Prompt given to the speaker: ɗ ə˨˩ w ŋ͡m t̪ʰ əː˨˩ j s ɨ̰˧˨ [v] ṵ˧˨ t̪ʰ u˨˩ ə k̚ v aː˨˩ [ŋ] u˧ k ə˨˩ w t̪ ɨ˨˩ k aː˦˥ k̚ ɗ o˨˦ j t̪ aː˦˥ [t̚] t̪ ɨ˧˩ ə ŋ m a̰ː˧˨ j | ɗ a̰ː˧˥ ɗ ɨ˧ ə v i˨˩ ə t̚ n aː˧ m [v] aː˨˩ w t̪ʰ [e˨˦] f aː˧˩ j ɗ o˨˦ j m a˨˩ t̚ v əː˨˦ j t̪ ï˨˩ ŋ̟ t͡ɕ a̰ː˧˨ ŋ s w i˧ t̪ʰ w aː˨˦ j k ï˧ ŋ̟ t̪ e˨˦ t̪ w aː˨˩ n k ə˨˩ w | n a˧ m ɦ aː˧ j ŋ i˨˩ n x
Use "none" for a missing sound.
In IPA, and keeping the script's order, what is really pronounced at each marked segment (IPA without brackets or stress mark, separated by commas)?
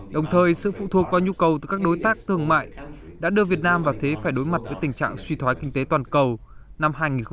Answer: f, ɲ, k̚, v, e˨˦